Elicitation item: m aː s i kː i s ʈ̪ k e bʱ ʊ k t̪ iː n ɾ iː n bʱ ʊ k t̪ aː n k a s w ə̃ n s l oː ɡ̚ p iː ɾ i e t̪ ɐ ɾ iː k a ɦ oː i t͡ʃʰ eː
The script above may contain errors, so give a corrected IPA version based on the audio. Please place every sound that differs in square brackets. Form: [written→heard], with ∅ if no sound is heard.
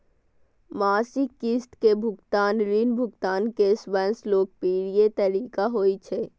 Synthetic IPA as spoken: m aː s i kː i s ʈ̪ k e bʱ ʊ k t̪ [iː→aː] n ɾ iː n bʱ ʊ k t̪ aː n k [a→e] s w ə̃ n s l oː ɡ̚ p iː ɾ i e t̪ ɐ ɾ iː k a ɦ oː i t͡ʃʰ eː